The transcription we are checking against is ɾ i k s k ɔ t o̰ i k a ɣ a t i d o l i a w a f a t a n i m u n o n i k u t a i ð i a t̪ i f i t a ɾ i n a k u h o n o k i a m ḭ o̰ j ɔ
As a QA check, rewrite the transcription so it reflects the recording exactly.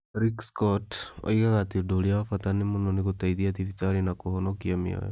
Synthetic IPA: ɾ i k s k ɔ t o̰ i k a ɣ a t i d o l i a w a f a t a n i m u n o n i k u t a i ð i a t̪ i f i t a ɾ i n a k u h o n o k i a m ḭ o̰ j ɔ